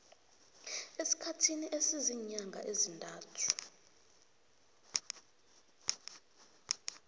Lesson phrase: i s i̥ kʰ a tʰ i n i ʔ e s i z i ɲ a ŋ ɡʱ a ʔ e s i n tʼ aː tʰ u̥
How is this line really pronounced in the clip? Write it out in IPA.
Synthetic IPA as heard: e s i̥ kʰ a tʰ i n i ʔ e s i z i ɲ a ŋ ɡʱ a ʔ e z i n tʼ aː tʰ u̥